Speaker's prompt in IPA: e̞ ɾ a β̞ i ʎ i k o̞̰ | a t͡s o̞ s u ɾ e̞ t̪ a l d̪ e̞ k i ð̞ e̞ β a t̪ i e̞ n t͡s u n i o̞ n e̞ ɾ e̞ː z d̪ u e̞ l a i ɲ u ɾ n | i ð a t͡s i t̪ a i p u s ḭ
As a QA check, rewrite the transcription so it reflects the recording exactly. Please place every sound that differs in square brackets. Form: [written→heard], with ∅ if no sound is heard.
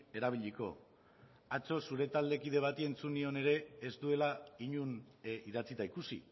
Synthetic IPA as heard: e̞ ɾ a β̞ i ʎ i k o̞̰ | a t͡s o̞ s u ɾ e̞ t̪ a l d̪ e̞ k i ð̞ e̞ β a t̪ i e̞ n t͡s u n i o̞ n e̞ ɾ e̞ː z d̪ u e̞ l a i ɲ u [ɾ→∅] n | i ð a t͡s i t̪ a i [p→k] u s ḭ